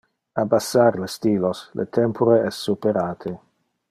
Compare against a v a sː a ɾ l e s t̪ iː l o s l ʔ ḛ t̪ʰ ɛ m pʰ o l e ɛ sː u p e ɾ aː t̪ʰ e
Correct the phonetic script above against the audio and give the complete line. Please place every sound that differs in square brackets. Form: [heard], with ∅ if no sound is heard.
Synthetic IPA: a [b] a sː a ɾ l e s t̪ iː l o s l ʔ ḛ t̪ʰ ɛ m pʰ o [ɾ] e ɛ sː u p e ɾ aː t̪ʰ e